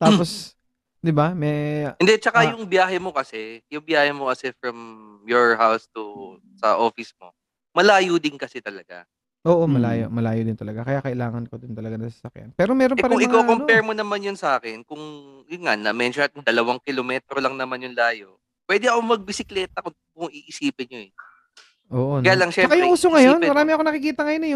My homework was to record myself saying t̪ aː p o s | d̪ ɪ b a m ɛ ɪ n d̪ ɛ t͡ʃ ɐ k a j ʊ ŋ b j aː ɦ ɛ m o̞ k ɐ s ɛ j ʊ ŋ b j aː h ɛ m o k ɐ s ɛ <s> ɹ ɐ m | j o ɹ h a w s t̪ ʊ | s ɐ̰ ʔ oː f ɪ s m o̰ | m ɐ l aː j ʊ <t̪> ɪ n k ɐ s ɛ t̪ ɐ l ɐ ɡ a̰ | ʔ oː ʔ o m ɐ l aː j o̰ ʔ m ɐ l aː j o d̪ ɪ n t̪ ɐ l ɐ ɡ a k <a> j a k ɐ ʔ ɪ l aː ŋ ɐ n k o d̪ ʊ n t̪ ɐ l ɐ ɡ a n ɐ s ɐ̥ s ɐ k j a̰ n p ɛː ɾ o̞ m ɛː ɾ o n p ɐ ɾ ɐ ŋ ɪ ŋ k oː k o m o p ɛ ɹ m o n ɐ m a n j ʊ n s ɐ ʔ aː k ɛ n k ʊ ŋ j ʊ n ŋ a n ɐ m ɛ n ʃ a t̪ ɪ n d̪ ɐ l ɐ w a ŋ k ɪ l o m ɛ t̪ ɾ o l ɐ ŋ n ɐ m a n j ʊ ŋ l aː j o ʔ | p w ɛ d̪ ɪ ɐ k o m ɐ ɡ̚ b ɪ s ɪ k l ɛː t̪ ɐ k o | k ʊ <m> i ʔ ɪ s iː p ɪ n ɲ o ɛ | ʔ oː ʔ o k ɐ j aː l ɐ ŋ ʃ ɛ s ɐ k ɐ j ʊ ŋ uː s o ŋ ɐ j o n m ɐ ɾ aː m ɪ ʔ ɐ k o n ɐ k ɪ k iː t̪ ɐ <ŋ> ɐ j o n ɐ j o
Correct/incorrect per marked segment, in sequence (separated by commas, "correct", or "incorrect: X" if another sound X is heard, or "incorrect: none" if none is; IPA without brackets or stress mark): incorrect: f, incorrect: d̪, incorrect: ɐ, incorrect: ŋ, correct